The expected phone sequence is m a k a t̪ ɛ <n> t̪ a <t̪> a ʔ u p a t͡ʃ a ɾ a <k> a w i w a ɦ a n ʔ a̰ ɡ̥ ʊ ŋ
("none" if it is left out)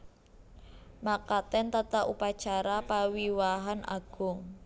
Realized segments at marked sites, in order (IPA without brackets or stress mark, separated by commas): n, t̪, p